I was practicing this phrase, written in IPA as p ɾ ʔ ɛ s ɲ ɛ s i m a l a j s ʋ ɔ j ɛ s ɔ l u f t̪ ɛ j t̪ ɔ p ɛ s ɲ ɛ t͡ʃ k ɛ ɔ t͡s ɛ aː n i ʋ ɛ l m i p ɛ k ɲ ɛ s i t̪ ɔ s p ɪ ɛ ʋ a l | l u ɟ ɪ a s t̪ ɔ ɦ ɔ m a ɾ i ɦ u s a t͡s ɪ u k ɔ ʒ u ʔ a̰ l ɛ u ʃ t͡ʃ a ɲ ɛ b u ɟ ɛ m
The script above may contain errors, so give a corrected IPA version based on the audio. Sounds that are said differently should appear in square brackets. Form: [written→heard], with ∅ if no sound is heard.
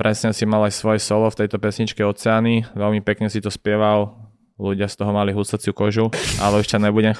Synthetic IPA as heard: p ɾ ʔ ɛ s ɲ ɛ s i m a l a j s ʋ ɔ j ɛ s ɔ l [u→ɔ] f t̪ ɛ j t̪ ɔ p ɛ s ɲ [ɛ→i] t͡ʃ k ɛ ɔ t͡s ɛ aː n i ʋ ɛ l m i p ɛ k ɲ ɛ s i t̪ ɔ s p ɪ ɛ ʋ a l | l u ɟ ɪ a s t̪ ɔ ɦ ɔ m a [ɾ→l] i ɦ u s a t͡s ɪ u k ɔ ʒ u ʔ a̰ l ɛ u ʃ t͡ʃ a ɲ ɛ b u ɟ ɛ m